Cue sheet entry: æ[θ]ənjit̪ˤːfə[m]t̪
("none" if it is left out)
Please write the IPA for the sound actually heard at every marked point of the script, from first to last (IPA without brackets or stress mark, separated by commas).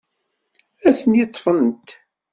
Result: θ, n